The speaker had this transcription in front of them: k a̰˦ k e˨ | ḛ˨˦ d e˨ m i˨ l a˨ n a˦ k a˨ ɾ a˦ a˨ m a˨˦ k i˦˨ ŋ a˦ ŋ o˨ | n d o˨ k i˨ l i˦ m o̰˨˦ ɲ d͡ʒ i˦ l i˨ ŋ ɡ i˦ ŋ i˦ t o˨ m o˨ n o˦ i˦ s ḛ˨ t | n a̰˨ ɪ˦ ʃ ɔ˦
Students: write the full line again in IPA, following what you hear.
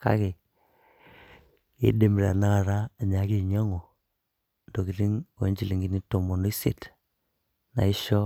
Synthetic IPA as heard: k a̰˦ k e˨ | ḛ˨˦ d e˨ m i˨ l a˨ n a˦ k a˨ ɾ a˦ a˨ ɲ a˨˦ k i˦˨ ɲ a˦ ŋ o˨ | n d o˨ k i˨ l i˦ ŋ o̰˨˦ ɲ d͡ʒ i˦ l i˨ ŋ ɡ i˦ n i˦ t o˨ m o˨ n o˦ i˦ s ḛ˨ t | n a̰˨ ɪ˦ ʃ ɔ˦